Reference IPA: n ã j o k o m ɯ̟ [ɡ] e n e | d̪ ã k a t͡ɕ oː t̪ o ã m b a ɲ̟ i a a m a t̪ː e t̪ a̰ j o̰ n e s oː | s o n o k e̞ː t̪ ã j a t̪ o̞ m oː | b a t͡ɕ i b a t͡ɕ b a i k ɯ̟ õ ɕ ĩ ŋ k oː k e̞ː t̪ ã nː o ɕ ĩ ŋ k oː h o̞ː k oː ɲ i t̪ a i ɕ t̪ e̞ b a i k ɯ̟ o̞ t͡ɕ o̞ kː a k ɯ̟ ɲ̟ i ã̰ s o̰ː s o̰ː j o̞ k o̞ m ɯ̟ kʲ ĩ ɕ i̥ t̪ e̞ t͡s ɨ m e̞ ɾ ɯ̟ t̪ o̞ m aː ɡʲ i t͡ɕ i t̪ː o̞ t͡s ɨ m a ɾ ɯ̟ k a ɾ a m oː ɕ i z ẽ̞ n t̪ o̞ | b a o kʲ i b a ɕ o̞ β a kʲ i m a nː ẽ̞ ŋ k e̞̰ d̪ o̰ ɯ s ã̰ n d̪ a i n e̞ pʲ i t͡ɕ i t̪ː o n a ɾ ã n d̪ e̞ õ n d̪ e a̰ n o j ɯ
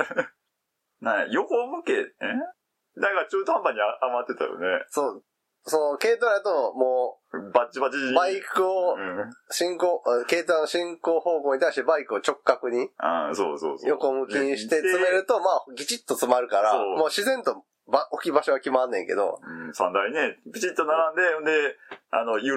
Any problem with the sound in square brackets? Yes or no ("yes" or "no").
yes